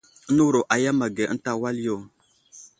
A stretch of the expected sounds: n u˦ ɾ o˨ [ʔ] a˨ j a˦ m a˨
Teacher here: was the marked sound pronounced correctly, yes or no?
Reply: yes